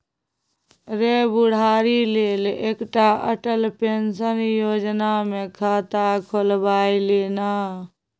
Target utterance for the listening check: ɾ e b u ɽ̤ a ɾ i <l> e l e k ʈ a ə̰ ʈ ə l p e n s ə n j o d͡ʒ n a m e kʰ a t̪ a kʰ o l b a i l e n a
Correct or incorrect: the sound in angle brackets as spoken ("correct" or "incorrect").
correct